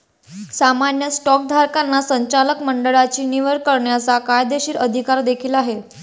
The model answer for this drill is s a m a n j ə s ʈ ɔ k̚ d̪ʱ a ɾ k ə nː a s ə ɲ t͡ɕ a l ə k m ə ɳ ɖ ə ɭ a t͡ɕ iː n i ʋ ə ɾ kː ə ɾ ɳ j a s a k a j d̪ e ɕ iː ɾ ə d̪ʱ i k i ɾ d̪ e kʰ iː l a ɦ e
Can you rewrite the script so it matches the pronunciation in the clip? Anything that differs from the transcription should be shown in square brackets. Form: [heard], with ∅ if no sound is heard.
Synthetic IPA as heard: s a m a n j ə s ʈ ɔ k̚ d̪ʱ a ɾ k [a] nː a s ə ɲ t͡ɕ a l ə k m ə ɳ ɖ ə ɭ a t͡ɕ iː n i ʋ ə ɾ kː ə ɾ ɳ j a [t͡s] a k a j d̪ e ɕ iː ɾ ə d̪ʱ i k [a] ɾ d̪ e kʰ iː l a ɦ e